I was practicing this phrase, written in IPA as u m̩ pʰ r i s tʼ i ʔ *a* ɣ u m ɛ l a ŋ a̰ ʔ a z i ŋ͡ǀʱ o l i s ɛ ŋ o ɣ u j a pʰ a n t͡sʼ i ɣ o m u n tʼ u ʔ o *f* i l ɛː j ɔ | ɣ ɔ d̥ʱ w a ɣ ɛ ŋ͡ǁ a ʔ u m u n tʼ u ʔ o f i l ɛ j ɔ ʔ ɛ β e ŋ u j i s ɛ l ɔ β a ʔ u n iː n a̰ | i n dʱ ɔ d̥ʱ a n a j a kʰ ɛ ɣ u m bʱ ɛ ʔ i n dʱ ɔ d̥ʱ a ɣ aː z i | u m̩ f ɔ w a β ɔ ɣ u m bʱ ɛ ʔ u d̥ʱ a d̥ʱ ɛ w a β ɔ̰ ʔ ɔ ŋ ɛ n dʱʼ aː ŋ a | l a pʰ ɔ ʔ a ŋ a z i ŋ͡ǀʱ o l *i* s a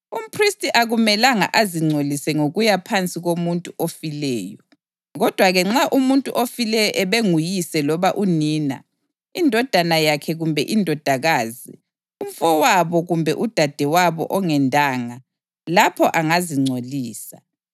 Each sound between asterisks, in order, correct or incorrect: correct, correct, incorrect: iː

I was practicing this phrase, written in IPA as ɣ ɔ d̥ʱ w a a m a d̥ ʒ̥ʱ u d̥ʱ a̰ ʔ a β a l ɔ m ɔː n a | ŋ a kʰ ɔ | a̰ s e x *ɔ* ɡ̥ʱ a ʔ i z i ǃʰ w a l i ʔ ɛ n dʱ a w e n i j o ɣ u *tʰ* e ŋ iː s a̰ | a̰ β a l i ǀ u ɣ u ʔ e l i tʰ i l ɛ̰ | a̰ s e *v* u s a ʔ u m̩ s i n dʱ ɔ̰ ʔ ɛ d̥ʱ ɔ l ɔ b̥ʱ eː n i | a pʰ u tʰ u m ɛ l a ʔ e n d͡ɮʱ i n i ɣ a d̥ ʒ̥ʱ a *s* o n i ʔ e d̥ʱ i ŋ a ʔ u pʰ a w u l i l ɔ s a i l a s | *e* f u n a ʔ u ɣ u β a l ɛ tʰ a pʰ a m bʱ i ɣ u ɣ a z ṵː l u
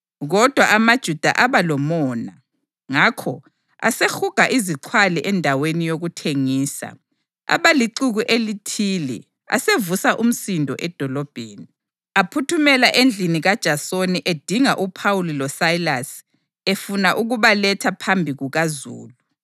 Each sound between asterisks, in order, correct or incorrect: incorrect: u, correct, correct, correct, correct

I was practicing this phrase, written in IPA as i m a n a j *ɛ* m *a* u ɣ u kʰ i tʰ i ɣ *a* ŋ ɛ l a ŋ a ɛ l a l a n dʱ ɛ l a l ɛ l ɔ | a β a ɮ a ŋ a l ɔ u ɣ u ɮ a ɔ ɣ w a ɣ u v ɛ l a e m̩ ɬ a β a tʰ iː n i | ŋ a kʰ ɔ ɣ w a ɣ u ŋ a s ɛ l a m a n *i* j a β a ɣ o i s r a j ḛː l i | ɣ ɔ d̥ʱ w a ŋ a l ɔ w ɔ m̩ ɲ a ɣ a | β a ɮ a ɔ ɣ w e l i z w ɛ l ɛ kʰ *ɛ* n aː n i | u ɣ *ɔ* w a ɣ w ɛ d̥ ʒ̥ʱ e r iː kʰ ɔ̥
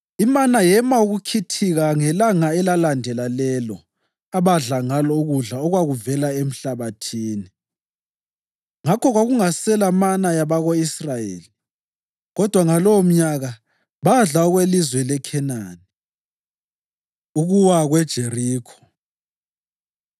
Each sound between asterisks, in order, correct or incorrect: correct, correct, correct, incorrect: a, correct, incorrect: u

